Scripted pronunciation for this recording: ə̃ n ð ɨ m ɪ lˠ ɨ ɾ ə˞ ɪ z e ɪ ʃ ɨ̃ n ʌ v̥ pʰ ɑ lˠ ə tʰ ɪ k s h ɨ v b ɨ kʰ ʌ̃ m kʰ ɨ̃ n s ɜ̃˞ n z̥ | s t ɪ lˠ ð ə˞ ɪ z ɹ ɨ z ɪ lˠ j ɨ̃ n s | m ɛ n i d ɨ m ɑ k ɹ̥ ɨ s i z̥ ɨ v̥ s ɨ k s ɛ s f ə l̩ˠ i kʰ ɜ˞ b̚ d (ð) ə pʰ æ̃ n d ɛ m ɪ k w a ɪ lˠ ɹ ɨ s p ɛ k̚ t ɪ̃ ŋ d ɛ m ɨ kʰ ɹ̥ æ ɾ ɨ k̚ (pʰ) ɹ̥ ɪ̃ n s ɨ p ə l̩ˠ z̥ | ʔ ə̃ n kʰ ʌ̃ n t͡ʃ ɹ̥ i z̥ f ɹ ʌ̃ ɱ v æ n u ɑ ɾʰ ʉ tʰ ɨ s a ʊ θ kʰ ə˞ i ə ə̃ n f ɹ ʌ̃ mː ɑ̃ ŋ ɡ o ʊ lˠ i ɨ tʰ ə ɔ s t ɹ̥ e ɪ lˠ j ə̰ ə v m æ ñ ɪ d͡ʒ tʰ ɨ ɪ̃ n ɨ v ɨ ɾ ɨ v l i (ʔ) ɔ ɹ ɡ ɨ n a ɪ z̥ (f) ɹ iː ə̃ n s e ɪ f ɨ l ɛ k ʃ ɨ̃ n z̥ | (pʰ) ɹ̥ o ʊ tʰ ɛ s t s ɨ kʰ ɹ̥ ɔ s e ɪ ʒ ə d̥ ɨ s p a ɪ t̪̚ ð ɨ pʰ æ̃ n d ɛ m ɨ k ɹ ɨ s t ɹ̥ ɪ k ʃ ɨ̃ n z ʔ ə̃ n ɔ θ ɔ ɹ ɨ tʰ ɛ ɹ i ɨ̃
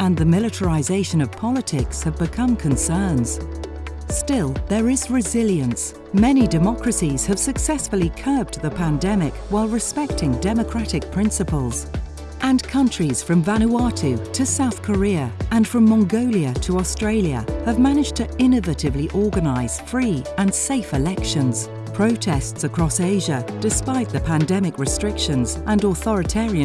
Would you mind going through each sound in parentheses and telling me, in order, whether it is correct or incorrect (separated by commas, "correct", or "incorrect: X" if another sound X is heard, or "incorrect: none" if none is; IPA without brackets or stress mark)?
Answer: correct, correct, correct, correct, correct